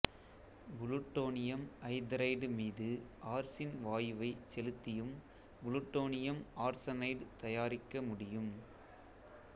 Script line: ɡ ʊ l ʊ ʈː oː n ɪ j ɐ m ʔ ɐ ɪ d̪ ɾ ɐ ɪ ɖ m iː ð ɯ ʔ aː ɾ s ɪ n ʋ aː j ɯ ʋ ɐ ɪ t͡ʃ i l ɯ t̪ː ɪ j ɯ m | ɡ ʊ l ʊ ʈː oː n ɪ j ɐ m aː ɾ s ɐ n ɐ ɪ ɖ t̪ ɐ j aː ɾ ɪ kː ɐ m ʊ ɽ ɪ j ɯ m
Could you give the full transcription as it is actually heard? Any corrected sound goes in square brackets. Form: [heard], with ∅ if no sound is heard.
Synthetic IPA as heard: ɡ ʊ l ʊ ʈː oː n ɪ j ɐ m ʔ ɐ ɪ d̪ ɾ ɐ ɪ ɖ m iː ð ɯ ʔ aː ɾ s ɪ n ʋ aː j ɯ ʋ ɐ ɪ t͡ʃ [ɛ] l ɯ t̪ː ɪ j ɯ m | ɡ ʊ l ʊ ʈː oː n ɪ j ɐ m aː ɾ s ɐ n ɐ ɪ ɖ t̪ ɐ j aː ɾ ɪ kː ɐ m ʊ ɽ ɪ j ɯ m